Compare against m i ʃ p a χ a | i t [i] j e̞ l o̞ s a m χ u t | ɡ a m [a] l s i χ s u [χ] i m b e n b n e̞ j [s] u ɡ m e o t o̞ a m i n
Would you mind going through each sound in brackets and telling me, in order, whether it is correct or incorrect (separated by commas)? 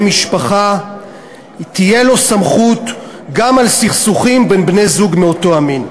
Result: correct, correct, correct, incorrect